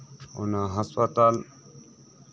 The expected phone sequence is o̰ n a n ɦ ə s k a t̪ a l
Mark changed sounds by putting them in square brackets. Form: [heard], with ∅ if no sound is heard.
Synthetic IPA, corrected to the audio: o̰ n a [∅] ɦ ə s [p] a t̪ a l